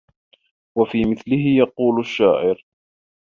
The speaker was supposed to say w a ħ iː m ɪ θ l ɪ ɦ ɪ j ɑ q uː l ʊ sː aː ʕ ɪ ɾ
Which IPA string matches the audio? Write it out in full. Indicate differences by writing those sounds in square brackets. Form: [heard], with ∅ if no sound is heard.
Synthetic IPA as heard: w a [f] iː m ɪ θ l ɪ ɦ ɪ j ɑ q uː l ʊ [ʃː] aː ʕ ɪ ɾ